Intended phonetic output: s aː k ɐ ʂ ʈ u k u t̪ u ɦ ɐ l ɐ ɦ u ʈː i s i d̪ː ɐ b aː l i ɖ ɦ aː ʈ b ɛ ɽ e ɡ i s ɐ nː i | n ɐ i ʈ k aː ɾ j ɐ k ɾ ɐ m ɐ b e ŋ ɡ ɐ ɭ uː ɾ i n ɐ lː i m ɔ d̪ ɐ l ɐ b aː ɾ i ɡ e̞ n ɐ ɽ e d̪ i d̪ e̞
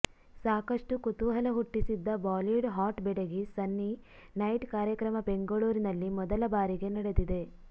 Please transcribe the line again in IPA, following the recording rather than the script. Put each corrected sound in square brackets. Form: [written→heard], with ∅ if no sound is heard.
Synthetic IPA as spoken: s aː k ɐ ʂ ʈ u k u t̪ u ɦ ɐ l ɐ ɦ u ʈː i s i d̪ː ɐ b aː l i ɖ ɦ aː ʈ b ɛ ɽ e ɡ i s ɐ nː i | n ɐ [i→j] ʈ k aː ɾ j ɐ k ɾ ɐ m ɐ b e ŋ ɡ ɐ ɭ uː ɾ i n ɐ lː i m ɔ d̪ ɐ l ɐ b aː ɾ i ɡ e̞ n ɐ ɽ e d̪ i d̪ e̞